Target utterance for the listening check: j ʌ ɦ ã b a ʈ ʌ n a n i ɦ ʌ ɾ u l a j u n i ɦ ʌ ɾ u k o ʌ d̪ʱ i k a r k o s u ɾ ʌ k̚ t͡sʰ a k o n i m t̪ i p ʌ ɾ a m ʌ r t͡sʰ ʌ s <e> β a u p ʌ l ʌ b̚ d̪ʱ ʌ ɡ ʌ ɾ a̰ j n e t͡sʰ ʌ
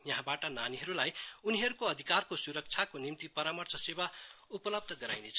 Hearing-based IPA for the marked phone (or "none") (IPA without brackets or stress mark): e